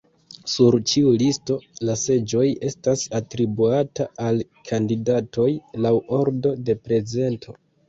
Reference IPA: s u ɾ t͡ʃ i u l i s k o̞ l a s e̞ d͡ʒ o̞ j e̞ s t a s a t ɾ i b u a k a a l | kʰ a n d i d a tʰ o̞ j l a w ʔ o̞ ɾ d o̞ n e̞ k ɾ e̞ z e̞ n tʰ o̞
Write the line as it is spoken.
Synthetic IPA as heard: s u ɾ t͡ʃ i u l i s t o̞ l a s e̞ d͡ʒ o̞ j e̞ s t a s a t ɾ i b u a t a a l | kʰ a n d i d a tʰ o̞ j l a w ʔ o̞ ɾ d o̞ d e̞ p ɾ e̞ z e̞ n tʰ o̞